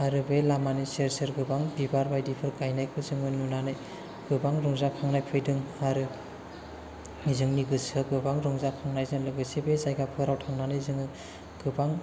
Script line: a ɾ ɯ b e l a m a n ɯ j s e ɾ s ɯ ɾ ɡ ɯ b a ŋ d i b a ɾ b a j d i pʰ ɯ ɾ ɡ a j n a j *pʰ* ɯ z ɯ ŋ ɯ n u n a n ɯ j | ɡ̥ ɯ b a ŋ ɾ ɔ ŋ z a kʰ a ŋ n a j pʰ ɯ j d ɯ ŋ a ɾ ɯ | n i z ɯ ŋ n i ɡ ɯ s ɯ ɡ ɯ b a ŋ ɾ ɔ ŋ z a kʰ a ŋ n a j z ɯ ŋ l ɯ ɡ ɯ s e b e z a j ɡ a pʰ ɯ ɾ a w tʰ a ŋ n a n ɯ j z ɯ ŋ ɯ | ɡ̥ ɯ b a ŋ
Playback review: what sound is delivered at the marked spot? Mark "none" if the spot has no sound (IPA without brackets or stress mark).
kʰ